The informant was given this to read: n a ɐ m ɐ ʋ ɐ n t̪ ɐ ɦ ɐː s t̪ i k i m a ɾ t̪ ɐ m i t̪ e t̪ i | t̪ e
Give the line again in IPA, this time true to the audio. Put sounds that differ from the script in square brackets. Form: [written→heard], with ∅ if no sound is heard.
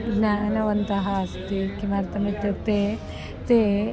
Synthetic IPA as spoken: n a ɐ [m→n] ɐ ʋ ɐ n t̪ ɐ ɦ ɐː s t̪ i k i m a ɾ t̪ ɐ m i t̪ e t̪ [i→e] | t̪ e